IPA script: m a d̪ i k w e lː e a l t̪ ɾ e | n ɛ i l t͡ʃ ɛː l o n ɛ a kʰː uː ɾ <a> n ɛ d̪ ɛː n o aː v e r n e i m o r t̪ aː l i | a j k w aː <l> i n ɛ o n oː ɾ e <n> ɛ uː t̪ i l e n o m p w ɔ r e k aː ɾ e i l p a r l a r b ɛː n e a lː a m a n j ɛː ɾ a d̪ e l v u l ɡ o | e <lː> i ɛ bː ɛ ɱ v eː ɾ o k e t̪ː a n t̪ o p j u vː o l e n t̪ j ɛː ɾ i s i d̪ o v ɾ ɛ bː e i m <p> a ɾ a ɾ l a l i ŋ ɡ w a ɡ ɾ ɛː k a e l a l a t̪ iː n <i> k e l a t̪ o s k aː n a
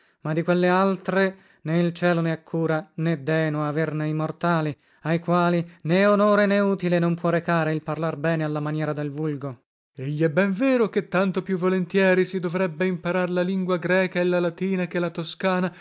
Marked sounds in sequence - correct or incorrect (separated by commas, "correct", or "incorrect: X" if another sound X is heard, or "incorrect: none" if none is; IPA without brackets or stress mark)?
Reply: correct, correct, correct, incorrect: ʎː, correct, incorrect: a